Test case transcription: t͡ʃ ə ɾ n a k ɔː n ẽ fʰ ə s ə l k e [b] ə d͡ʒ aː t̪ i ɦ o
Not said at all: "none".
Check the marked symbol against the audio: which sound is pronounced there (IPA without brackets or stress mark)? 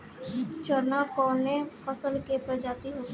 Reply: p